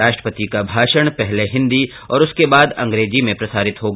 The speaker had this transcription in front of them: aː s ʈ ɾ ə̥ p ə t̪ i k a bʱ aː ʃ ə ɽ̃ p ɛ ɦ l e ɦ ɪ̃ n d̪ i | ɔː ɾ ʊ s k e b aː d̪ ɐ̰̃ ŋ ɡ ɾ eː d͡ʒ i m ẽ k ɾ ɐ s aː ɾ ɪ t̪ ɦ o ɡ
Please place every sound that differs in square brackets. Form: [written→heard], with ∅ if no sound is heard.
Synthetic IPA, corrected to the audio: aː [s→ʃ] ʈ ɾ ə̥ p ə t̪ i k a bʱ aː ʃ ə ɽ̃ p ɛ ɦ l e ɦ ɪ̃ n d̪ i | ɔː ɾ ʊ s k e b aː d̪ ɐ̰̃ ŋ ɡ ɾ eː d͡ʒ i m ẽ [k→p] ɾ ɐ s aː ɾ ɪ t̪ ɦ o ɡ